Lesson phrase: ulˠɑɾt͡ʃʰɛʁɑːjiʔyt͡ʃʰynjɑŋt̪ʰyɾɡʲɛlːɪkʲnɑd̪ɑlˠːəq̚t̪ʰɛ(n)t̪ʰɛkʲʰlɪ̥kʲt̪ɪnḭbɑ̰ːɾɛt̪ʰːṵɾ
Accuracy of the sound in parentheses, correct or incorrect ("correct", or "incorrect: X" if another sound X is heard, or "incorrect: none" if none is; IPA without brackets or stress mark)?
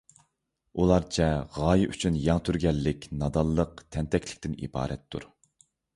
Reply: correct